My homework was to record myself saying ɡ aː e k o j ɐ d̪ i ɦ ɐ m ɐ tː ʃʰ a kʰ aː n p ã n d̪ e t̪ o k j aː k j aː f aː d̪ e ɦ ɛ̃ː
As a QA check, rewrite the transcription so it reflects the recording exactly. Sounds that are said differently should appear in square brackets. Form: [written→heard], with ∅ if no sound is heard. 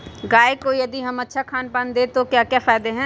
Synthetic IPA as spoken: ɡ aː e k o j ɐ d̪ i ɦ ɐ m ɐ tː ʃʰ a kʰ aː n p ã n d̪ e t̪ o k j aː k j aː f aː d̪ e ɦ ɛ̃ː

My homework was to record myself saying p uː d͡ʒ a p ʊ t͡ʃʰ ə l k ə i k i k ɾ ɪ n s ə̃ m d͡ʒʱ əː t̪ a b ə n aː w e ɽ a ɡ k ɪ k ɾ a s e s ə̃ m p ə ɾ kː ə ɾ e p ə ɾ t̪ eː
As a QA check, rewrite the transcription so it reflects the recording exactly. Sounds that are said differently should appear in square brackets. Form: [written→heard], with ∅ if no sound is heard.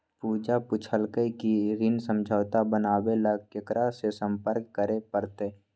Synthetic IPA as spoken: p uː d͡ʒ a p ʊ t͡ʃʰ ə l k ə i k i [k→∅] ɾ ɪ n s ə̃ m d͡ʒʱ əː t̪ a b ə n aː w e [ɽ→l] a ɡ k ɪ k ɾ a s e s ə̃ m p ə ɾ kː ə ɾ e p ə ɾ t̪ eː

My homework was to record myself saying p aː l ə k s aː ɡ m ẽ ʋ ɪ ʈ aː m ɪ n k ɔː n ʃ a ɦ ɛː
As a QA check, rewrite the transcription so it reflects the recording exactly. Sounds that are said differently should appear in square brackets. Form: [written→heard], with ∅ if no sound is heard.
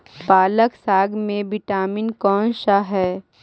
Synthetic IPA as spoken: p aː l ə k s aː ɡ m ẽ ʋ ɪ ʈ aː m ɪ n k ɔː n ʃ a ɦ ɛː

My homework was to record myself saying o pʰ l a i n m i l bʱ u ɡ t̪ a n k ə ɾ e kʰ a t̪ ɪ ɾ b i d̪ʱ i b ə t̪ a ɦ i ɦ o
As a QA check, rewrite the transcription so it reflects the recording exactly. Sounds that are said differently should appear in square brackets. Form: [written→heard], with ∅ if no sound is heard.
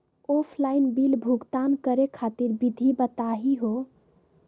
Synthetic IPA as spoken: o pʰ l a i n [m→b] i l bʱ u ɡ t̪ a n k ə ɾ e kʰ a t̪ [ɪ→i] ɾ b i d̪ʱ i b ə t̪ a ɦ i ɦ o

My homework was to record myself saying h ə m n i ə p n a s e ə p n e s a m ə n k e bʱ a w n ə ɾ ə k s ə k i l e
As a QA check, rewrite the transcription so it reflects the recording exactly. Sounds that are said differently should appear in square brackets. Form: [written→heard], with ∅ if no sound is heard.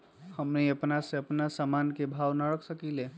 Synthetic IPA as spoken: h ə m n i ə p n a s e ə p n [e→a] s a m [ə→a] n k e bʱ a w n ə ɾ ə k s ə k i l e

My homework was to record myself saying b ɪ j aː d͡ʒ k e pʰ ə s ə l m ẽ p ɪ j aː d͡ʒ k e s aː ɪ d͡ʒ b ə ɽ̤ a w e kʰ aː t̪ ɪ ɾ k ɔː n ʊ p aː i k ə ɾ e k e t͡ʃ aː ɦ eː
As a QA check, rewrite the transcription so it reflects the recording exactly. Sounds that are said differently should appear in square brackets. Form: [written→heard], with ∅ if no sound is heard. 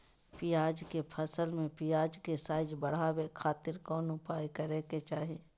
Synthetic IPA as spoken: [b→p] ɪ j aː d͡ʒ k e pʰ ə s ə l m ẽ p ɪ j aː d͡ʒ k e s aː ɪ d͡ʒ b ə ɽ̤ a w e kʰ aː t̪ ɪ ɾ k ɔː n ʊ p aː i k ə ɾ e k e t͡ʃ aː ɦ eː

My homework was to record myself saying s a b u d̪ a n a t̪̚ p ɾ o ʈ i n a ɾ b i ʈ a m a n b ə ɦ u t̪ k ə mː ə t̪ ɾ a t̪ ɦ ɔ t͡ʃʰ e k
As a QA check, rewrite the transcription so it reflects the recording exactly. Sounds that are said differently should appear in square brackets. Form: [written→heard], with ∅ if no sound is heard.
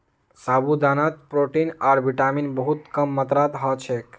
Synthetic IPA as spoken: s a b u d̪ a n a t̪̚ p ɾ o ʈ i n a ɾ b i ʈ a m [a→i] n b ə ɦ u t̪ k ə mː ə t̪ ɾ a t̪ ɦ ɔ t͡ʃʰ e k

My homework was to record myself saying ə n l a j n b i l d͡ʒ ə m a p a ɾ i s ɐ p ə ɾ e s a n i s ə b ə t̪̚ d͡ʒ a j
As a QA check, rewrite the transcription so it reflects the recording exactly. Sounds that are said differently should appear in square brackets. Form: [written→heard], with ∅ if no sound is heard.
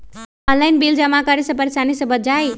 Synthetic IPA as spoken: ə n l a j n b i l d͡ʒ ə m a [p→k] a ɾ i s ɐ p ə ɾ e s a n i s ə b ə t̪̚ d͡ʒ a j

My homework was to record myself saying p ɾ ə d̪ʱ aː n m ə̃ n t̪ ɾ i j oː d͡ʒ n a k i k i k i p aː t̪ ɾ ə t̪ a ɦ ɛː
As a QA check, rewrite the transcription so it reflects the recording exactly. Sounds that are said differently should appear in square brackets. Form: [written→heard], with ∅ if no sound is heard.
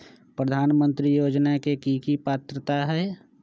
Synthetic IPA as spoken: p ɾ ə d̪ʱ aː n m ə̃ n t̪ ɾ i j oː d͡ʒ n a k [i→e] k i k i p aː t̪ ɾ ə t̪ a ɦ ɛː

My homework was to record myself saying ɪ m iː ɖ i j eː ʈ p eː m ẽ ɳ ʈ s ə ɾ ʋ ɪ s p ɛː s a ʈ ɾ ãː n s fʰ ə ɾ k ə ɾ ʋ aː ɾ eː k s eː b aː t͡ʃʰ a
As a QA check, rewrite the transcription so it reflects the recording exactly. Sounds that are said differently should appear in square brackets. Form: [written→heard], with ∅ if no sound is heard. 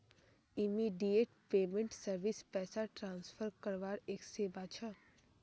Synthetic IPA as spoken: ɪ m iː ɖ i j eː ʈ p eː m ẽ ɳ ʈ s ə ɾ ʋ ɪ s p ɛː s a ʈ ɾ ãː n s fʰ ə ɾ k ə ɾ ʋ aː ɾ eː k s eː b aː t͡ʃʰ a

